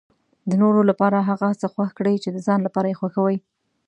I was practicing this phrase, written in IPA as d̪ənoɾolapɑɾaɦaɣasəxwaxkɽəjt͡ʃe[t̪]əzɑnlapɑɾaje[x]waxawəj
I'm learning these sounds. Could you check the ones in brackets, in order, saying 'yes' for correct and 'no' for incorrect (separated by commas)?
no, yes